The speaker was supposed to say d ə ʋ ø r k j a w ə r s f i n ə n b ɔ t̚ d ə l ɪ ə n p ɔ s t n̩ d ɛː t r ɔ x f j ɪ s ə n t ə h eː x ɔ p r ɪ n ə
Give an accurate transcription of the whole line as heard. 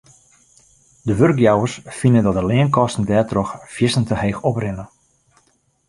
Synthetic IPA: d ə ʋ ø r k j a w ə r s f i n ə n d ɔ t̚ d ə l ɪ ə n k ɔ s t n̩ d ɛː t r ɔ x f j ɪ s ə n t ə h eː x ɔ p r ɪ n ə